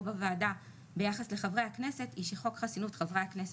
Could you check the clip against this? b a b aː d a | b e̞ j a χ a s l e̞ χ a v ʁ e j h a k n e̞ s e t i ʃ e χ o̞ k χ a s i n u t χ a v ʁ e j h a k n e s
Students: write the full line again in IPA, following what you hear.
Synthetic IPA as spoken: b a v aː d a | b e̞ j a χ a s l e̞ χ a v ʁ e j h a k n e̞ s e t i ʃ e χ o̞ k χ a s i n u t χ a v ʁ e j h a k n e s

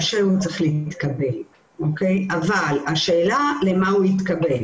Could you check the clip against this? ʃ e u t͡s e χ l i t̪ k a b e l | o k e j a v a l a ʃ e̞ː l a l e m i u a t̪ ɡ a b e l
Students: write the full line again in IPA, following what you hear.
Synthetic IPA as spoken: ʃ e u t͡s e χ l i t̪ k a b e l | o k e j a v a l a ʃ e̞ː l a l e m a u i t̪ k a b e l

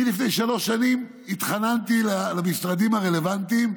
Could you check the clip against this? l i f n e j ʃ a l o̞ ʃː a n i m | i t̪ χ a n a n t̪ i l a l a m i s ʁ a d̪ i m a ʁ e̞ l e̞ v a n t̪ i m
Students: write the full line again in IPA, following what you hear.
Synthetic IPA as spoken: l i f n e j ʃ a l o̞ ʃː a n i m | i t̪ χ a n a n t̪ i l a l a m i s ʁ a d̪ i m a ʁ e̞ l e̞ v a n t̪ i m

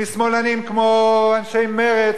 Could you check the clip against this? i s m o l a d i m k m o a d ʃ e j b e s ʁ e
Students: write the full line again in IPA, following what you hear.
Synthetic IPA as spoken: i s m o l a n i m k m o a n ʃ e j m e ʁ e

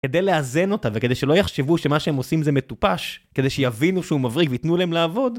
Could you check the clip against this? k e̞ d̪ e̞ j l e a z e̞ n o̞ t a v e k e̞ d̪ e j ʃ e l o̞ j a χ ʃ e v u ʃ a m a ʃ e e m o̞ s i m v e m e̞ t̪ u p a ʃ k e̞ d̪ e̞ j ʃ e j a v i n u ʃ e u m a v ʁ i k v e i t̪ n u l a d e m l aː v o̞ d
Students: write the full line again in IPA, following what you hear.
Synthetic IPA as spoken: k e̞ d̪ e̞ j l e a z e̞ n o̞ t a v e k e̞ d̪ e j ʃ e l o̞ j a χ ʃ e v u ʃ e m a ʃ e e m o̞ s i m z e m e̞ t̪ u p a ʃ k e̞ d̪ e̞ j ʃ e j a v i n u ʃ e u m a v ʁ i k v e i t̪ n u l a e m l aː v o̞ d

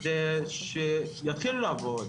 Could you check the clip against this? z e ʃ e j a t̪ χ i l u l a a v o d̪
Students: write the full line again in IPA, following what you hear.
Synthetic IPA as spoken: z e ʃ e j a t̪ χ i l u l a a v o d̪

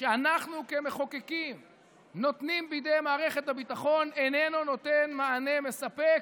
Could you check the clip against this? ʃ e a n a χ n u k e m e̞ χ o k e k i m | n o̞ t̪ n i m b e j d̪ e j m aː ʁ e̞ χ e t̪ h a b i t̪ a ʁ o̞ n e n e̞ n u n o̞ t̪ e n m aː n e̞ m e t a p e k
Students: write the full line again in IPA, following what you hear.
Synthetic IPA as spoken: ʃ e a n a χ n u k e m e̞ χ o k e k i m | n o̞ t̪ n i m b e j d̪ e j m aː ʁ e̞ χ e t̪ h a b i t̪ a χ o̞ n e n e̞ n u n o̞ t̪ e n m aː n e̞ m e s a p e k

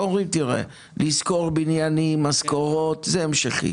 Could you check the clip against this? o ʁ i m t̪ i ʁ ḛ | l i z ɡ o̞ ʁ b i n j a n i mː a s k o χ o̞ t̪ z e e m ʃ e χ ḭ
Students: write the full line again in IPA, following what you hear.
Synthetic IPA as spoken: o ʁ i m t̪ i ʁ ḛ | l i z k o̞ ʁ b i n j a n i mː a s k o ʁ o̞ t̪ z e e m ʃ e χ ḭ

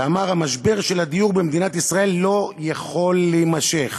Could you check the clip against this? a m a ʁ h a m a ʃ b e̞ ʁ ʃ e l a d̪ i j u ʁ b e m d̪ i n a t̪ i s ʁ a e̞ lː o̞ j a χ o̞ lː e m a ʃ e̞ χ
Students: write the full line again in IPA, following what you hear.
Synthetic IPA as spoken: a m a ʁ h a m a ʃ b e̞ ʁ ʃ e l a d̪ i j u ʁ b e m d̪ i n a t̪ i s ʁ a e̞ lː o̞ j a χ o̞ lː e m a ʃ e̞ χ

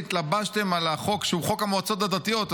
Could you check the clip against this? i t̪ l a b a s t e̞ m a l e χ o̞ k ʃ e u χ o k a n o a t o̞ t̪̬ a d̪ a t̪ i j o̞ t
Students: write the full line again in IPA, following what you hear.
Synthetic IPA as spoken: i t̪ l a b a ʃ t e̞ m a l a χ o̞ k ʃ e u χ o k a m o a t͡s o̞ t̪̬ a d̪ a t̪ i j o̞ t

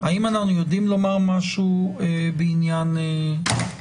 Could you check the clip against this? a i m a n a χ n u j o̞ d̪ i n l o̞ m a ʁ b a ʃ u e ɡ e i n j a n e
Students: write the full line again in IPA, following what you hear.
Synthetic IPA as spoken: a i m a n a χ n u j o̞ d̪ i m l o̞ m a ʁ m a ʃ u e b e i n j a n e

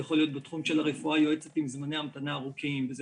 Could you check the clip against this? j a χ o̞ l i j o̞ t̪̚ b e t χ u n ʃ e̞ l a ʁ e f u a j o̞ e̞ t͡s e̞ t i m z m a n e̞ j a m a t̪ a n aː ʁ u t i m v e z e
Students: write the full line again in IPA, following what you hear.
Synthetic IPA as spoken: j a χ o̞ l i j o̞ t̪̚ b e t χ u m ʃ e̞ l a ʁ e f u a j o̞ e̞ t͡s e̞ t i m z m a n e̞ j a m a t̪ a n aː ʁ u k i m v e z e

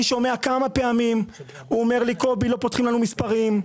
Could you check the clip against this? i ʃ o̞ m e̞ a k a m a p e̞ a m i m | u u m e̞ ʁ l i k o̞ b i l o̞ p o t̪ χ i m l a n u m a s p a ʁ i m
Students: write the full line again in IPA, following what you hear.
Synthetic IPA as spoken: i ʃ o̞ m e̞ a k a m a p e̞ a m i m | u o m e̞ ʁ l i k o̞ b i l o̞ p o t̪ χ i m l a n u m i s p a ʁ i m

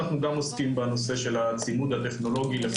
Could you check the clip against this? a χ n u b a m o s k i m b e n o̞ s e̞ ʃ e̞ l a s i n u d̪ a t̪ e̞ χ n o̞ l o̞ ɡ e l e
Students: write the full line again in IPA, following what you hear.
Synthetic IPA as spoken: a χ n u ɡ a m o s k i m b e n o̞ s e̞ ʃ e̞ l a t͡s i m u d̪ a t̪ e̞ χ n o̞ l o̞ ɡ i l e

